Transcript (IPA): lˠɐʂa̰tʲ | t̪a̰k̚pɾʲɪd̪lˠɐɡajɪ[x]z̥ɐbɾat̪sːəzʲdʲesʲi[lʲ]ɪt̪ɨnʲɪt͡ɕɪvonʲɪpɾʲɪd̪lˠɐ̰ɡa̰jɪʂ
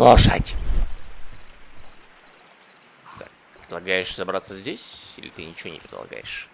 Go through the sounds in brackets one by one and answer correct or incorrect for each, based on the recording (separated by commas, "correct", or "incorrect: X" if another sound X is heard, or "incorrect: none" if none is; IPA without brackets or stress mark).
incorrect: ʂ, correct